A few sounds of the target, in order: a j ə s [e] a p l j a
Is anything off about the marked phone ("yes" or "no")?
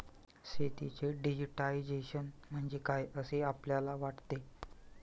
no